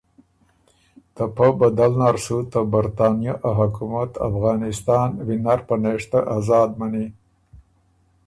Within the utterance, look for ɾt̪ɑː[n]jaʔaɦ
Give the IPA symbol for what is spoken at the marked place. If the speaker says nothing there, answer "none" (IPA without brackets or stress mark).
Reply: n